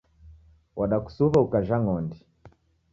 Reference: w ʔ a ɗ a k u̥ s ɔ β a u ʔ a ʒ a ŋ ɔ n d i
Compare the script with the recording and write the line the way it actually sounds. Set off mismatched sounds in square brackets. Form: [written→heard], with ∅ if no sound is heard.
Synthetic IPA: w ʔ a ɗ a k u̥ s [ɔ→u] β a u [ʔ→k] a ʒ a ŋ ɔ n d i